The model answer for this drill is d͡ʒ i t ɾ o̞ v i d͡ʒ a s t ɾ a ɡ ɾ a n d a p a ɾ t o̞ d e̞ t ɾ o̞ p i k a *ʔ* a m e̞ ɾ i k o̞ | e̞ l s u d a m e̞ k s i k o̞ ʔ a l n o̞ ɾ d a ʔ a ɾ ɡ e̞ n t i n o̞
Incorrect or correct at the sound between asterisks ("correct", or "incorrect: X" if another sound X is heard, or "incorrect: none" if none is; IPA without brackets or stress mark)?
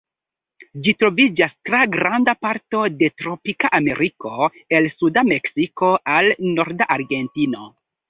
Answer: correct